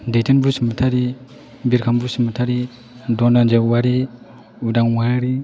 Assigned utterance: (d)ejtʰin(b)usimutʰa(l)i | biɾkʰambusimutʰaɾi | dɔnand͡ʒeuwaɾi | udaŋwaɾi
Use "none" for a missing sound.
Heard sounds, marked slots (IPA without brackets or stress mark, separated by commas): d, b, ɾ